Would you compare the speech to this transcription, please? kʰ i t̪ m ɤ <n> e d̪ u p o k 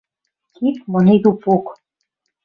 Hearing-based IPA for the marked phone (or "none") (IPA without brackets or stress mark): n